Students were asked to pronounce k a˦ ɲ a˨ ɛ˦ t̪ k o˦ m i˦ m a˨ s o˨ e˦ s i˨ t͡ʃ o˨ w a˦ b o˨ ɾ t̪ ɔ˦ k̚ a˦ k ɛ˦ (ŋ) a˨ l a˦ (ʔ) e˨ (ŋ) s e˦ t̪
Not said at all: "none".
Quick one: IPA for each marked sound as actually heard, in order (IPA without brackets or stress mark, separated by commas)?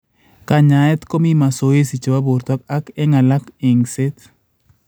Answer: ŋ, k, ŋ